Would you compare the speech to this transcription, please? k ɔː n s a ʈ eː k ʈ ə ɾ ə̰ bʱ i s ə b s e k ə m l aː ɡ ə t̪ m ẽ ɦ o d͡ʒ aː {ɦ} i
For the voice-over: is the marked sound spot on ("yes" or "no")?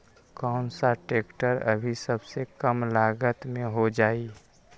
no